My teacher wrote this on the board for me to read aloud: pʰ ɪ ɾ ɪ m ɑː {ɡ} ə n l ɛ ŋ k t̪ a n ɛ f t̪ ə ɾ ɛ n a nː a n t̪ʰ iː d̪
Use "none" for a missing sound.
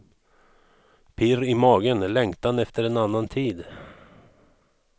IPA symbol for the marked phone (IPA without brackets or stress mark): ɡ